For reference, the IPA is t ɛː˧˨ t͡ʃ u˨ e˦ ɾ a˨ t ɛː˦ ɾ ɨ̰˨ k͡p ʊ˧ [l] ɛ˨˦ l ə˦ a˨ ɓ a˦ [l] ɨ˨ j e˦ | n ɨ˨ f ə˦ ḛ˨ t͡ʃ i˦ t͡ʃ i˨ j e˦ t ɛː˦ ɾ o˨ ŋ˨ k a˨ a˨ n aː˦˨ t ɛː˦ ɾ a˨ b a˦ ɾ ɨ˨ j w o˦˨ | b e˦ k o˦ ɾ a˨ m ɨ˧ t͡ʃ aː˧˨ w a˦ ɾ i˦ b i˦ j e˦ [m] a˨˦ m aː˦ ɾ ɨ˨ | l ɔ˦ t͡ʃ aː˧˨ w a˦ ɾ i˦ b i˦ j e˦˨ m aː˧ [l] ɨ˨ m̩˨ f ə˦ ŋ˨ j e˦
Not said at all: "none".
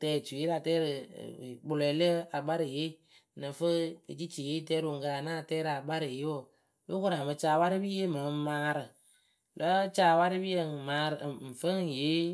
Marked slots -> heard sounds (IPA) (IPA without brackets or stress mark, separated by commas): l, ɾ, m, ɾ